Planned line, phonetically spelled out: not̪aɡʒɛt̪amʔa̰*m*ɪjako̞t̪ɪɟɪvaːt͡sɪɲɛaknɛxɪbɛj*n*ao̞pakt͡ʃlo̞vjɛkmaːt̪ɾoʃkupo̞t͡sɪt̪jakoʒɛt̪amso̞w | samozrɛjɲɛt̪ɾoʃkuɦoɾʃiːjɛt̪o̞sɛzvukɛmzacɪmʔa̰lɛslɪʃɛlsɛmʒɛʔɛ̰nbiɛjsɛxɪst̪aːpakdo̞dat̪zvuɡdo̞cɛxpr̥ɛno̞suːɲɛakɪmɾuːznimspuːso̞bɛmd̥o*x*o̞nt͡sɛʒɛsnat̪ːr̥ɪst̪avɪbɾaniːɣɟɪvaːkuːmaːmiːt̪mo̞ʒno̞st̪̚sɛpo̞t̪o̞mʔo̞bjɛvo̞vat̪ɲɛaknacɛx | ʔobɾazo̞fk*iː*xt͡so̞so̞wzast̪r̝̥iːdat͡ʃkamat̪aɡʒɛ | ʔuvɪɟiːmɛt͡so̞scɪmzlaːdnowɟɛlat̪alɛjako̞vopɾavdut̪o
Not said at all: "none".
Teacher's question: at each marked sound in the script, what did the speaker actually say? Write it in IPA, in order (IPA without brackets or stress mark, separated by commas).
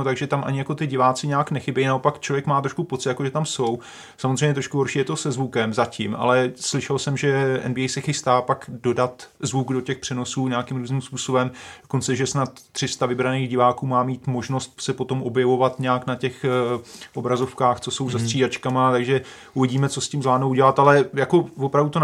ɲ, n, k, aː